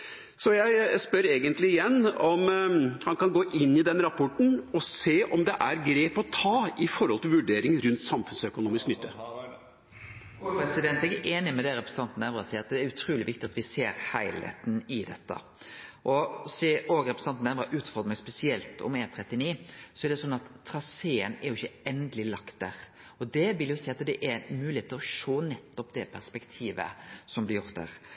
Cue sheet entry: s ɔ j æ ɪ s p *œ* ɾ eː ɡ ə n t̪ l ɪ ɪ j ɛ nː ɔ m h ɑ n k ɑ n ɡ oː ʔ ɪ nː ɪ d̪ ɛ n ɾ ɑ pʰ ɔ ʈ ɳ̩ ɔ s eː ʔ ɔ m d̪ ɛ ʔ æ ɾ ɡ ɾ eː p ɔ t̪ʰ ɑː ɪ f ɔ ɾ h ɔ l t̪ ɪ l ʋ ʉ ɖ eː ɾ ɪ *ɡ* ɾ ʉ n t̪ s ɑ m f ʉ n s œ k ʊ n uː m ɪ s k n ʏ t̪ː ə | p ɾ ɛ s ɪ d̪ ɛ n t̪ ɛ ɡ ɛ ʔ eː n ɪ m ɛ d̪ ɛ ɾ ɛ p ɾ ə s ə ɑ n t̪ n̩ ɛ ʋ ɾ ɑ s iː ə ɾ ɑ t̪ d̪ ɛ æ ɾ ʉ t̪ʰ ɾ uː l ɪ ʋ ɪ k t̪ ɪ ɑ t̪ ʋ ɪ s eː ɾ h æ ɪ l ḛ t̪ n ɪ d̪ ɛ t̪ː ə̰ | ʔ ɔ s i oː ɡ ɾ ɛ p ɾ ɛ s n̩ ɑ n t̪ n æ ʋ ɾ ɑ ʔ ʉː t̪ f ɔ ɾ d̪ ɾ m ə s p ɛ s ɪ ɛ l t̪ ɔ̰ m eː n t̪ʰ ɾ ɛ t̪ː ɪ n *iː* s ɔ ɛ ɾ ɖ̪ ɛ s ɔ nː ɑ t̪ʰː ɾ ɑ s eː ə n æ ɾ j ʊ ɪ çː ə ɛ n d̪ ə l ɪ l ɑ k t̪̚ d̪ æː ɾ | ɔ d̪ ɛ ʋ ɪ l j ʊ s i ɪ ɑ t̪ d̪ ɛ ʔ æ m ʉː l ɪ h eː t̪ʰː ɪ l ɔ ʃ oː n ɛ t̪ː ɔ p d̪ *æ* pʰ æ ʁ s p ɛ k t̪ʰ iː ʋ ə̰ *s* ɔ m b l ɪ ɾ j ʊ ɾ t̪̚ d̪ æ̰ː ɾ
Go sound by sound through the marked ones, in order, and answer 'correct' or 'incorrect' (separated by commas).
correct, incorrect, correct, incorrect, correct